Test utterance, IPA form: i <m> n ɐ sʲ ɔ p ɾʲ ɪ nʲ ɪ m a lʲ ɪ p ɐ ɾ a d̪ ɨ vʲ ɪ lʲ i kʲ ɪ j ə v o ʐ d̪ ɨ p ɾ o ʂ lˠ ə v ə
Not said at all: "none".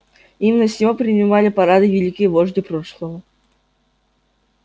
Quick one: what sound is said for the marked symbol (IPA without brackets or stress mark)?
m